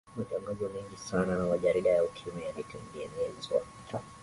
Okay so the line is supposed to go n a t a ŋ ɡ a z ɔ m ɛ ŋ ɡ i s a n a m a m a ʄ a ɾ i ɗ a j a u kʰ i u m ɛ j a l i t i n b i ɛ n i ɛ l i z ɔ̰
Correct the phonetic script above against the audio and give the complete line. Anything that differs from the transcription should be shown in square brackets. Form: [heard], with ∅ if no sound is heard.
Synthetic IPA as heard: [m] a t a ŋ ɡ a z ɔ m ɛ ŋ ɡ i s a n a [n] a m a ʄ a ɾ i ɗ a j a u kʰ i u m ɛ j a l i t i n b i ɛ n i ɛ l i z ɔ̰